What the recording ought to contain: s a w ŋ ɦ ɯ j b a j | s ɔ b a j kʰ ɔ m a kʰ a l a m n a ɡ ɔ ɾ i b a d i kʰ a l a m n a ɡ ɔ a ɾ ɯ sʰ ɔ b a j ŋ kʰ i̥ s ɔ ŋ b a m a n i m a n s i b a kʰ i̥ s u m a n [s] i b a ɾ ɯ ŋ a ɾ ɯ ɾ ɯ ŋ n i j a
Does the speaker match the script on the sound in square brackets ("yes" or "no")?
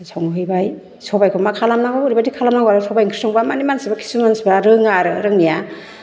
yes